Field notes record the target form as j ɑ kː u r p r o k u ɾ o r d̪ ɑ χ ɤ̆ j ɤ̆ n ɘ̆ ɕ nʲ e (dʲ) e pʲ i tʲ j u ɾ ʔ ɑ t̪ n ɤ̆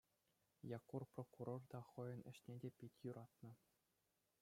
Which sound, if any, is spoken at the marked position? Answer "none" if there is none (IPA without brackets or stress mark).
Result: dʲ